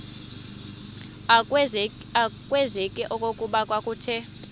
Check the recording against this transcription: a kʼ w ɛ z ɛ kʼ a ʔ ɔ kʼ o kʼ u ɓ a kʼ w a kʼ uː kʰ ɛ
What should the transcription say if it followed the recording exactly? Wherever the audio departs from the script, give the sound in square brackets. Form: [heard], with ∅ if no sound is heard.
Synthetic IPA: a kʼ w ɛ z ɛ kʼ [ɛ] ʔ ɔ kʼ o kʼ u ɓ a kʼ w a kʼ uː [tʰ] ɛ

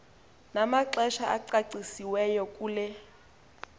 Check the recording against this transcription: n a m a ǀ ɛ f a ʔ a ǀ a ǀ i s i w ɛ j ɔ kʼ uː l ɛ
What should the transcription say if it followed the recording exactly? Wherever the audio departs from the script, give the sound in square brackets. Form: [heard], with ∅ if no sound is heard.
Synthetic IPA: n a m a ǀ ɛ [ʃ] a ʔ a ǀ a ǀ i s i w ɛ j ɔ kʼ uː l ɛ

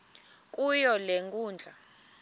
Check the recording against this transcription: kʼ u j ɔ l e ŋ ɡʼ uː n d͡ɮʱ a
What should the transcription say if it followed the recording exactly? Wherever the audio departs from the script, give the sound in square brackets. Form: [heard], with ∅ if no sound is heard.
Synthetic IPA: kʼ u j ɔ l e ŋ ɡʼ uː n d͡ɮʱ a

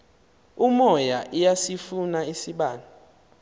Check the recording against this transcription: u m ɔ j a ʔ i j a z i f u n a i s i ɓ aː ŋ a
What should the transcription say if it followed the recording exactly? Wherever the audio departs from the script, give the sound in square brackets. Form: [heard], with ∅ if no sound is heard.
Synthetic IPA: u m ɔ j a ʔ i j a [s] i f u n a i s i ɓ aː [n] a

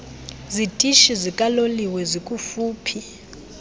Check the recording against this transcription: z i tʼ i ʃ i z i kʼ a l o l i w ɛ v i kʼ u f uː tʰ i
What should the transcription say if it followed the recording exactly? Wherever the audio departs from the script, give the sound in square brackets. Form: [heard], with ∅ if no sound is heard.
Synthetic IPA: z i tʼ i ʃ i z i kʼ a l o l i w ɛ [z] i kʼ u f uː [pʰ] i

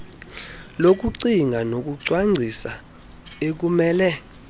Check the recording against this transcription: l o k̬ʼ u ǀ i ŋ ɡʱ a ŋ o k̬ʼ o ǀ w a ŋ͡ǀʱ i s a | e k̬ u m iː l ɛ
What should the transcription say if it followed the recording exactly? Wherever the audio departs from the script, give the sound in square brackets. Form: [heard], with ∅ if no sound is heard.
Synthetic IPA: l o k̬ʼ u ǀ i ŋ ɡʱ a [n] o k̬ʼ [u] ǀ w a ŋ͡ǀʱ i s a | e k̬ u m [ɛː] l ɛ

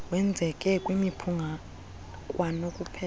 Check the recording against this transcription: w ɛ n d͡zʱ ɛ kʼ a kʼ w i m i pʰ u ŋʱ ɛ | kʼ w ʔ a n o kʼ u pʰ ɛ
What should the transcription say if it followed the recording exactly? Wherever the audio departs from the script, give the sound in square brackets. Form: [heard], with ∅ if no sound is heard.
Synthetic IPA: w ɛ n d͡zʱ ɛ kʼ [ɛ] kʼ w i m i pʰ u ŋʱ [a] | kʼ w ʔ a n o kʼ u pʰ ɛ

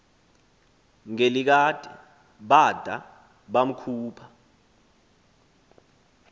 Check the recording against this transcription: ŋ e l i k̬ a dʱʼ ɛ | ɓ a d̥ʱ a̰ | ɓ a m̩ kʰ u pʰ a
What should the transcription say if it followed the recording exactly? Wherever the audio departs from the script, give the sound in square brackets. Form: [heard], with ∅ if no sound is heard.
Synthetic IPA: ŋ e l i k̬ a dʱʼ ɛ | ɓ a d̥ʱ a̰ | ɓ a m̩ kʰ [uː] pʰ a

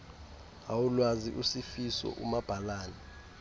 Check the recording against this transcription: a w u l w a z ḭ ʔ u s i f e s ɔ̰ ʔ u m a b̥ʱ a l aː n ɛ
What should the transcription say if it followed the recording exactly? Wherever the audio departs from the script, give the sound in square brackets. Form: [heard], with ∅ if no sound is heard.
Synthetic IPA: a w u l w a z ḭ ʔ u s i f [i] s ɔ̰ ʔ u m a b̥ʱ a l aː n ɛ

